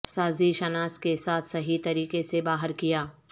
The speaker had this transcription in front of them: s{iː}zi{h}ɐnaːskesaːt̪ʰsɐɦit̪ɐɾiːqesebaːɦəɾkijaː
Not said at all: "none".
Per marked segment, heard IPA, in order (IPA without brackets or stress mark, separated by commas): aː, ʃ